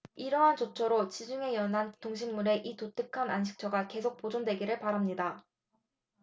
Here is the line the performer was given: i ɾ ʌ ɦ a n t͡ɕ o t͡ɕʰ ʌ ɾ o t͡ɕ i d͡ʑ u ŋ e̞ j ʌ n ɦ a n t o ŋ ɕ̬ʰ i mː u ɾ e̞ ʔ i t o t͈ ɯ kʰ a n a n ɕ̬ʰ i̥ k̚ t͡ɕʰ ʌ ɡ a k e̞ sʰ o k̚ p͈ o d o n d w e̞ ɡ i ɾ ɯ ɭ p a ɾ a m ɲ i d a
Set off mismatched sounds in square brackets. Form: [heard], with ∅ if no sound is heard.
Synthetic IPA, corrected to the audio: i ɾ ʌ ɦ a n t͡ɕ o t͡ɕʰ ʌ ɾ o t͡ɕ i d͡ʑ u ŋ e̞ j ʌ n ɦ a n t o ŋ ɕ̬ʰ i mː u ɾ e̞ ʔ i t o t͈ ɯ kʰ a n a n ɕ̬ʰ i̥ k̚ t͡ɕʰ ʌ ɡ a k e̞ sʰ o k̚ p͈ o [d͡ʑ] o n d w e̞ ɡ i ɾ ɯ ɭ p a ɾ a m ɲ i d a